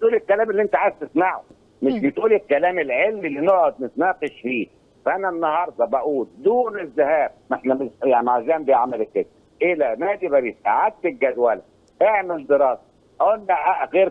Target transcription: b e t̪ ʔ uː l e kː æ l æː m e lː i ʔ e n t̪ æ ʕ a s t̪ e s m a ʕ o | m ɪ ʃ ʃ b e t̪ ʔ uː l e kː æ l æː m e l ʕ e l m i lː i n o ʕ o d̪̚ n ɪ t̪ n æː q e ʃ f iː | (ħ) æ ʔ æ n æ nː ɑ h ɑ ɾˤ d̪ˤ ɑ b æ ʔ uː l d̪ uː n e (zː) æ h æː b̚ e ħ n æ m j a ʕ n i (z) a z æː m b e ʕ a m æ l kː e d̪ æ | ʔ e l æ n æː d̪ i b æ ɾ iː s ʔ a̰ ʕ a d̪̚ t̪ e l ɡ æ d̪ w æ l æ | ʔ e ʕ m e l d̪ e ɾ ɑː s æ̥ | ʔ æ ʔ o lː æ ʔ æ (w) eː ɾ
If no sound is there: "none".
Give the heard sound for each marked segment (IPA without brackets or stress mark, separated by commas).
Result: f, zː, ʕ, ɣ